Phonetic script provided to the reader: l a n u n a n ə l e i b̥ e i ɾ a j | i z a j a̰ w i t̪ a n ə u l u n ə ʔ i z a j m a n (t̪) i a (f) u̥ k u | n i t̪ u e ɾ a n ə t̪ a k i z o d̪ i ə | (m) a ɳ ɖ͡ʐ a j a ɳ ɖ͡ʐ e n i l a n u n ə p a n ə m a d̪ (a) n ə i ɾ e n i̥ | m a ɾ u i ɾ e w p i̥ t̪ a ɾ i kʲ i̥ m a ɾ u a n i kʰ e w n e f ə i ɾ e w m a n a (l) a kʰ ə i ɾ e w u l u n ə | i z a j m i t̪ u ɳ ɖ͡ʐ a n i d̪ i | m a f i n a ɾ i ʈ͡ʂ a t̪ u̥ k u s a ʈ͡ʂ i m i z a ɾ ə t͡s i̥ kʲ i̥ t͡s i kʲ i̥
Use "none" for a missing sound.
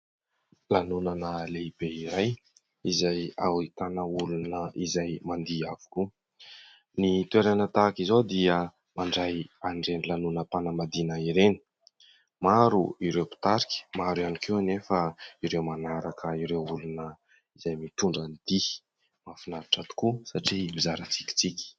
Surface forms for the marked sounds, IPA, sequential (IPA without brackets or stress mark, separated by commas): d̪, v, m, i, ɾ